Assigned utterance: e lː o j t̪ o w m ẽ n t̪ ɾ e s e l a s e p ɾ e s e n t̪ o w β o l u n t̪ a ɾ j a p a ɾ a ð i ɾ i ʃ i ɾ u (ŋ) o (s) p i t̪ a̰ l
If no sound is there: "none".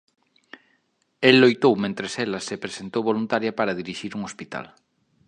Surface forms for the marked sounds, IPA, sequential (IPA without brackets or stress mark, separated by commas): ŋ, s